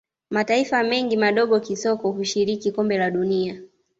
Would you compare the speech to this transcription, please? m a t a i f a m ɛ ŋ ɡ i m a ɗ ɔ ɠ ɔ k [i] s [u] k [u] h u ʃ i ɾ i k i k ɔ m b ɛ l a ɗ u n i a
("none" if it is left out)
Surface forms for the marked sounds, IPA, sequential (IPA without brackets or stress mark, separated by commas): i, ɔ, ɔ